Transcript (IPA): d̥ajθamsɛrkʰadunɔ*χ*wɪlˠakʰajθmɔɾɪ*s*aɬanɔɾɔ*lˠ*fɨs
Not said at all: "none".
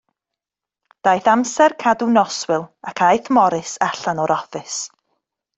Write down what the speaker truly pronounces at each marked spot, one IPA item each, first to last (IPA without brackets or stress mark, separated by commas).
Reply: s, s, none